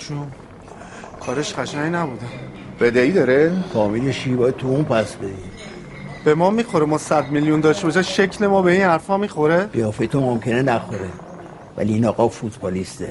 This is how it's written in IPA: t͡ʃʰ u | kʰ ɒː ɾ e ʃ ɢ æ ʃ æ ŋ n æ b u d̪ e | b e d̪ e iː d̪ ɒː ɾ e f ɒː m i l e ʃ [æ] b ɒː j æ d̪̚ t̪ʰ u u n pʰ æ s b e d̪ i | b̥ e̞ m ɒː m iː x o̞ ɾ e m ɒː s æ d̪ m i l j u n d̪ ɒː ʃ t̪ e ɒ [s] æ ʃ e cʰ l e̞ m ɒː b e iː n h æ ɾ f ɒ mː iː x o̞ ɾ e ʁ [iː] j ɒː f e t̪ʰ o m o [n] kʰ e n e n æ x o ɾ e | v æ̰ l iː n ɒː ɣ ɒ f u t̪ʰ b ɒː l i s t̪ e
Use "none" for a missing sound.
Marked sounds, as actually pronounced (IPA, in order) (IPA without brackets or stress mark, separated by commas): i, ʃ, i, m